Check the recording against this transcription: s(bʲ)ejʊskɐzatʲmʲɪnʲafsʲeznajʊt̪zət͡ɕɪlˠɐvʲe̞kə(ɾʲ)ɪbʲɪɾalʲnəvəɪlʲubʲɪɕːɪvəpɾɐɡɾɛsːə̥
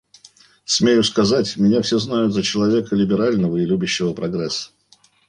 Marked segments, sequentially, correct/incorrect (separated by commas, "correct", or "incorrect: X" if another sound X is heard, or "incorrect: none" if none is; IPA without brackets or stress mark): incorrect: mʲ, incorrect: lʲ